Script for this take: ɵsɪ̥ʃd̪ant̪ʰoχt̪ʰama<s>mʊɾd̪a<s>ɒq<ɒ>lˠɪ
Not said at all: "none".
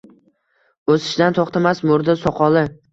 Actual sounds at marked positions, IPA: s, s, ɒ

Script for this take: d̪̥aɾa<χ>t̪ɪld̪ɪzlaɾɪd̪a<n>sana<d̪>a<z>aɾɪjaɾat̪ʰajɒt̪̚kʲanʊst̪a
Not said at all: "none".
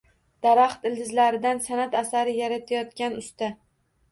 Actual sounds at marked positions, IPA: χ, n, t̪, s

